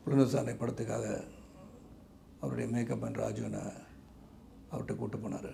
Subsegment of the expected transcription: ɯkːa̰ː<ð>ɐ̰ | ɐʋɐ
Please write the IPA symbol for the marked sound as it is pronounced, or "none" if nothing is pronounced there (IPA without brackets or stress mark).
ɣ